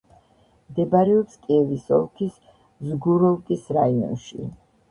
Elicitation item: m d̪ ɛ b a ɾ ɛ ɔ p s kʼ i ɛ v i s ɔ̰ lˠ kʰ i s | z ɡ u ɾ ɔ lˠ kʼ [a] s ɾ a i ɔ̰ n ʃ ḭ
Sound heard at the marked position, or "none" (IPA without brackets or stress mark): i